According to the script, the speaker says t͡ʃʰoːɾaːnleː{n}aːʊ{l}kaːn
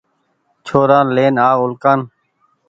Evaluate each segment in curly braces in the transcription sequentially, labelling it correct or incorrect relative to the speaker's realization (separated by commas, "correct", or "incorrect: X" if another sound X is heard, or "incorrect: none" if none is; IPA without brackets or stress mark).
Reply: correct, correct